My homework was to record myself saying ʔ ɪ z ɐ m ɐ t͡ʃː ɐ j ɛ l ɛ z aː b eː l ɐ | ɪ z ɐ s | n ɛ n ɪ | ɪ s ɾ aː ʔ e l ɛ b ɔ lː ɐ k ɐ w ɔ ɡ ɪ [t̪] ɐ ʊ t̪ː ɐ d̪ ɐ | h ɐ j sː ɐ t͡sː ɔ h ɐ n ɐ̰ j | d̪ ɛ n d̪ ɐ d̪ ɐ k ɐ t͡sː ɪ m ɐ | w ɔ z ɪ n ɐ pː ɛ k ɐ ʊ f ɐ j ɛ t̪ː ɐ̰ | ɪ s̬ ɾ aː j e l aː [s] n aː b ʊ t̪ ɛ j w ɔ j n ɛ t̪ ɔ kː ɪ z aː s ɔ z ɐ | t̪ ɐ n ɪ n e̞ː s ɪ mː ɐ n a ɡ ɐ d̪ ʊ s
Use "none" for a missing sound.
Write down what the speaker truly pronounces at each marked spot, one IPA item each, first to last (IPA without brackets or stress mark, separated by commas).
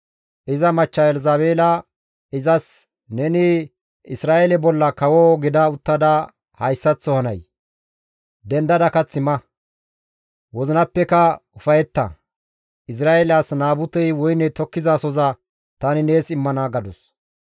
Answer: d̪, s